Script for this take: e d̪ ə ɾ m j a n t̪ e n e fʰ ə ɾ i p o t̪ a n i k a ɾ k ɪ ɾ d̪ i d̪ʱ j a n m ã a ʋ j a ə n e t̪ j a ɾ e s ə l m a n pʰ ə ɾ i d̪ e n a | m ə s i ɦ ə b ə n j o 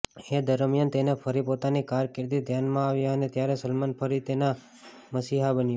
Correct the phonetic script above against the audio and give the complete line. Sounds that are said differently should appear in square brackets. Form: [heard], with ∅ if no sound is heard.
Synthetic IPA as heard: e d̪ ə ɾ m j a n t̪ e n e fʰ ə ɾ i p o t̪ a n i k a ɾ k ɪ ɾ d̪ i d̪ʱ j a n m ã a ʋ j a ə n e t̪ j a ɾ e s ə l m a n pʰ ə ɾ i [t̪] e n a | m ə s i ɦ [a] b ə n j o